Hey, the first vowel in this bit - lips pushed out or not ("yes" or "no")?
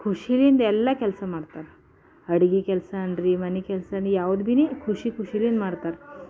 yes